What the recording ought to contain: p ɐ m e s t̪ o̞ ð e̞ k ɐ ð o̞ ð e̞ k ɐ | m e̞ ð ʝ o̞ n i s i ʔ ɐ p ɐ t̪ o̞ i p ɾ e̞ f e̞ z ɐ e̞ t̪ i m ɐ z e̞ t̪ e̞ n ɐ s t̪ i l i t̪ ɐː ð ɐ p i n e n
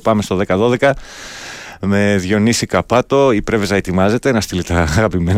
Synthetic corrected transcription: p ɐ m e s t̪ o̞ ð e̞ k ɐ ð o̞ ð e̞ k ɐ | m e̞ ð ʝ o̞ n i s i k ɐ p ɐ t̪ o̞ i p ɾ e̞ v e̞ z ɐ e̞ t̪ i m ɐ z e̞ t̪ e̞ n ɐ s t̪ i l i t̪ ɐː ɣ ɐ p i m e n